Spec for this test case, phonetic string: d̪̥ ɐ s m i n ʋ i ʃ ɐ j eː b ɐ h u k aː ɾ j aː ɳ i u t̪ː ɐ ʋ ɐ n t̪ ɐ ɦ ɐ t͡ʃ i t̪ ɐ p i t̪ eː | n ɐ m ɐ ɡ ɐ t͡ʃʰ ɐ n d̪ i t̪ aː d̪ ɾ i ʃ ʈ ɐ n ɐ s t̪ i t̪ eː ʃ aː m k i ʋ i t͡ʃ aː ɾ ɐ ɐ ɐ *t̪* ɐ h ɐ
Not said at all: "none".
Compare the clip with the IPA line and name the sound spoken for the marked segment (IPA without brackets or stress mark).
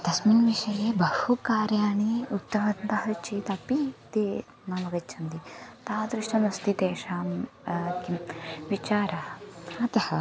t̪